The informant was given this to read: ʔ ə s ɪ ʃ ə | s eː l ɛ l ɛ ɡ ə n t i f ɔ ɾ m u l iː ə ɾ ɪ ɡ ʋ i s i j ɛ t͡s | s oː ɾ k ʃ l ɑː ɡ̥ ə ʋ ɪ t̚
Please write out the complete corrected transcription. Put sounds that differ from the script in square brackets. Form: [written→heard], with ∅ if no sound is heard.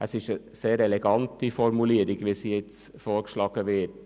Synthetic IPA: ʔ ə s ɪ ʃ ə | s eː [l→ɾ] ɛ l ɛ ɡ [ə→ɑ] n t i f ɔ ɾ m u l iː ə ɾ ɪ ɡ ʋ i s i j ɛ t͡s | [s→f] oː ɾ k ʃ l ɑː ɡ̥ ə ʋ ɪ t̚